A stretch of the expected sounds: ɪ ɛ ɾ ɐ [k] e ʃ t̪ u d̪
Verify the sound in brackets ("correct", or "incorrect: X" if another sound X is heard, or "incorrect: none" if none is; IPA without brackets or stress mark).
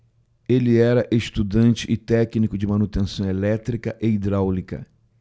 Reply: incorrect: ʔ